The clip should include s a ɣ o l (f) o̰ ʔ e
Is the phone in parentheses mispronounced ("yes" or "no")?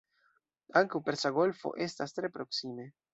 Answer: no